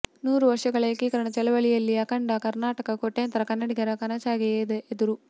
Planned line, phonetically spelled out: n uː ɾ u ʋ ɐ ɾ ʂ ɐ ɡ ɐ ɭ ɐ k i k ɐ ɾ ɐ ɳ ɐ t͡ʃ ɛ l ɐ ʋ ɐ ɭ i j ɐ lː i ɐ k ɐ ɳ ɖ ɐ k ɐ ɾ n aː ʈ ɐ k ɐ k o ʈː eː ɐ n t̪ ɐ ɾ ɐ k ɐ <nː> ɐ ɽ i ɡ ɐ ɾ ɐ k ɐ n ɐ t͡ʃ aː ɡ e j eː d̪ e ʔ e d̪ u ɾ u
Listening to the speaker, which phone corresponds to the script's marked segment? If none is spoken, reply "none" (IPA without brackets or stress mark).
nː